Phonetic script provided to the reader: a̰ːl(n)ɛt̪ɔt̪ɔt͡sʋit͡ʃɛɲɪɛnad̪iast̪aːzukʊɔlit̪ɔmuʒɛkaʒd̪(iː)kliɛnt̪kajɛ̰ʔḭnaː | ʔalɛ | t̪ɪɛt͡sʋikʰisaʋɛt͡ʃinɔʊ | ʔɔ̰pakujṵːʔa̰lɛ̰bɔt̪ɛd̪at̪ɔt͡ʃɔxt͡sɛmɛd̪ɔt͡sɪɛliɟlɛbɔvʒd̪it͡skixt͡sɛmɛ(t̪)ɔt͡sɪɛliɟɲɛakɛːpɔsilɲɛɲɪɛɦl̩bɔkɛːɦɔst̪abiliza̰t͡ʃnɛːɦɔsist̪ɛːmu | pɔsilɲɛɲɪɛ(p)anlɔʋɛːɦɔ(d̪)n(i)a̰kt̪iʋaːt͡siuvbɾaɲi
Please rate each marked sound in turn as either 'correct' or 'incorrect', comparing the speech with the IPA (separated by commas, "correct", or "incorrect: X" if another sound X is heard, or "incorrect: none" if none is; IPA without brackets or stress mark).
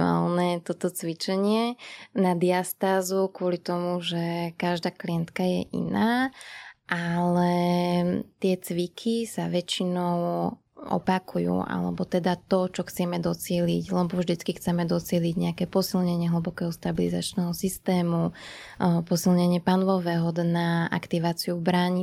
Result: correct, incorrect: aː, incorrect: d̪, correct, correct, incorrect: a